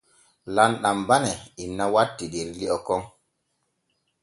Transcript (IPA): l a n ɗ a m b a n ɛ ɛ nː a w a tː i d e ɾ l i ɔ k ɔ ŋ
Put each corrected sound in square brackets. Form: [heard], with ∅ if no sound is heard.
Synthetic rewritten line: l a n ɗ a m b a n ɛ [i] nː a w a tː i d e ɾ l i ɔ k ɔ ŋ